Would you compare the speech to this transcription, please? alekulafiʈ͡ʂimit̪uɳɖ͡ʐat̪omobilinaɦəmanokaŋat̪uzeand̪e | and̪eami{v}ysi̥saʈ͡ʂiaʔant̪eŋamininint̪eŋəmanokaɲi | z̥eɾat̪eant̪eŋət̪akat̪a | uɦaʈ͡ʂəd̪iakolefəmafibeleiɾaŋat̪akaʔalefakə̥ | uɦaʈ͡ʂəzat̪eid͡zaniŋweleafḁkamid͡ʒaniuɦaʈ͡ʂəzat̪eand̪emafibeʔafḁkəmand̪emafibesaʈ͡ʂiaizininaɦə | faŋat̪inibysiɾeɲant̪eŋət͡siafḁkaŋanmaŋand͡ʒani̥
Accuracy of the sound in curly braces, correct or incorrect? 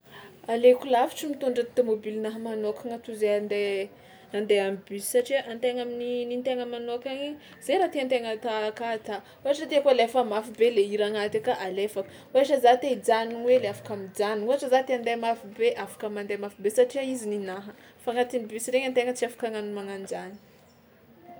incorrect